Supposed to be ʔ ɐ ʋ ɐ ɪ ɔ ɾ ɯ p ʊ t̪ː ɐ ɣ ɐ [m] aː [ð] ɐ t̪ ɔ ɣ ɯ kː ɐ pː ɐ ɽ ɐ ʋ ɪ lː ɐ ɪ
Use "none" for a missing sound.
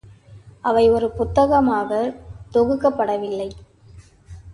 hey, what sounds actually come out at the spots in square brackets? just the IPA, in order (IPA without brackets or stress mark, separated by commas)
m, ɣ